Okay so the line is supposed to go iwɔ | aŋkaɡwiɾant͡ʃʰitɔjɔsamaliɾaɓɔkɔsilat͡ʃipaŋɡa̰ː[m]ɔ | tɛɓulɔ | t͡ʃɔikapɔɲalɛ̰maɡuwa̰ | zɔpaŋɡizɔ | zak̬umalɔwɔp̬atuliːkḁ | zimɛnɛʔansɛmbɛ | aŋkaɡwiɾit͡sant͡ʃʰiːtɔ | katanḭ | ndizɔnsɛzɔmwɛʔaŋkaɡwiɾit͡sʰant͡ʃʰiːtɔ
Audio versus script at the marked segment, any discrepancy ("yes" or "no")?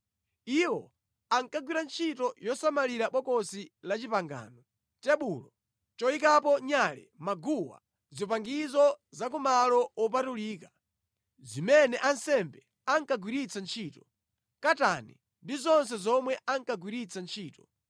yes